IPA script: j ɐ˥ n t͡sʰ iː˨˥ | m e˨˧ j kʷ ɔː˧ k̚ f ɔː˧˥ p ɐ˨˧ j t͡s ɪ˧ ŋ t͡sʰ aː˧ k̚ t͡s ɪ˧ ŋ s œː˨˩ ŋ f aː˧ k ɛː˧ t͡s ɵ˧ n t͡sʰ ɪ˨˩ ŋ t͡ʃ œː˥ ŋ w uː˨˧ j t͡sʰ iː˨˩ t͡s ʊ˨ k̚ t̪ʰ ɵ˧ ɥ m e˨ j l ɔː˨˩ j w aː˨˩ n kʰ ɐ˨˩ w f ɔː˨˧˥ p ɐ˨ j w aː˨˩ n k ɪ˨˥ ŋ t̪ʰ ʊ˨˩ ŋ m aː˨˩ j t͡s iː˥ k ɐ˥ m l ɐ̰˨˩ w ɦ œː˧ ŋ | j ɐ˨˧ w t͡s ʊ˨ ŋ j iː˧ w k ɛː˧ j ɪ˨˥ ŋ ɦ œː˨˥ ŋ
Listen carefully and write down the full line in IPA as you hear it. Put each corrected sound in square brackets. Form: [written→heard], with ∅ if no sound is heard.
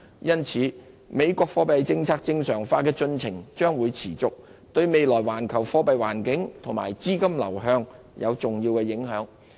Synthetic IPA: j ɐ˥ n t͡sʰ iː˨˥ | m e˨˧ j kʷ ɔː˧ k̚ f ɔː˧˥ p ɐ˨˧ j t͡s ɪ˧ ŋ t͡sʰ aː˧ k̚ t͡s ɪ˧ ŋ s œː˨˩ ŋ f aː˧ k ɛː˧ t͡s ɵ˧ n t͡sʰ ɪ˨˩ ŋ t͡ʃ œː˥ ŋ w uː˨˧ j t͡sʰ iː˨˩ t͡s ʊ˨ k̚ [t̪ʰ→t̪] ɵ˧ ɥ m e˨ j l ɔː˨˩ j w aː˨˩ n kʰ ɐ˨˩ w f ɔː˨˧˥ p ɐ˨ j w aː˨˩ n k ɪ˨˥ ŋ t̪ʰ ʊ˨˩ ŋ m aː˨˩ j t͡s iː˥ k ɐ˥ m l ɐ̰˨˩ w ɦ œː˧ ŋ | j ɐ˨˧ w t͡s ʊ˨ ŋ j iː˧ w k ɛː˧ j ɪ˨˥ ŋ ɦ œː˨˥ ŋ